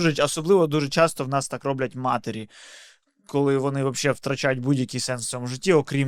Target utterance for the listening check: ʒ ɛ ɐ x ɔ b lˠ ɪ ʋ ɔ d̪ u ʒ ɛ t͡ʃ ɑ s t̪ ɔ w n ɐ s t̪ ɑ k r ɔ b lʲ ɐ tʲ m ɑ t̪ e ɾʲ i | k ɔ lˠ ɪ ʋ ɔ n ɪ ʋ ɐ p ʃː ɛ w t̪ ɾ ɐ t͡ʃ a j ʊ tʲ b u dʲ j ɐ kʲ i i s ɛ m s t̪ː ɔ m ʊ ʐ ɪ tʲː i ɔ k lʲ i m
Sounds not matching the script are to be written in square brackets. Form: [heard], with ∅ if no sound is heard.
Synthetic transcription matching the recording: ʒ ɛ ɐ [s] ɔ b lˠ ɪ ʋ ɔ d̪ u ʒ ɛ t͡ʃ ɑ s t̪ ɔ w n [ɑ] s t̪ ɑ k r ɔ b lʲ ɐ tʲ m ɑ t̪ e ɾʲ i | k ɔ lˠ ɪ ʋ ɔ n ɪ ʋ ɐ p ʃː ɛ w t̪ ɾ ɐ t͡ʃ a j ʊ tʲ b u dʲ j ɐ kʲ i [j] s ɛ [n] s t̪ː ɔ m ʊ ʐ ɪ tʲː i ɔ k [ɾʲ] i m